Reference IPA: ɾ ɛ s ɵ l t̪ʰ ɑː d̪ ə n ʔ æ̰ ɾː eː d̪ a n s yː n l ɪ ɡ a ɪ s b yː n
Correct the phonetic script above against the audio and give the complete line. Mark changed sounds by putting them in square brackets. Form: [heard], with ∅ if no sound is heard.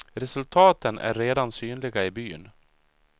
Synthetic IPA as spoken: ɾ ɛ s ɵ l t̪ʰ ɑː [t̪] ə n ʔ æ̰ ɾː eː d̪ a n s yː n l ɪ ɡ a ɪ [∅] b yː n